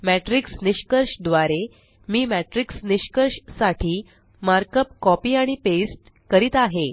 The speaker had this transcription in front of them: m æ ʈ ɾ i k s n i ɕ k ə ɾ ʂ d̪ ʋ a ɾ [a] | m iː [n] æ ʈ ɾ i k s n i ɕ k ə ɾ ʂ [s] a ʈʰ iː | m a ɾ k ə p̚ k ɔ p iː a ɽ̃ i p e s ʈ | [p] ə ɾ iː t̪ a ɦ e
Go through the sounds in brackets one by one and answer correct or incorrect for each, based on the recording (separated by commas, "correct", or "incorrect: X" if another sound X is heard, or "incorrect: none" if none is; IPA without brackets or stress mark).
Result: incorrect: e, incorrect: m, correct, incorrect: k